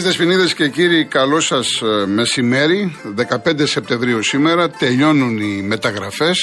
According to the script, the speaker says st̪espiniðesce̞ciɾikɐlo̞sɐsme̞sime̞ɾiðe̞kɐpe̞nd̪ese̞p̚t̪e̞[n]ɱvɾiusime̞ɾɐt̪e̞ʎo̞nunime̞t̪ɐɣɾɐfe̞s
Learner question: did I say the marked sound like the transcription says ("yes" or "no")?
no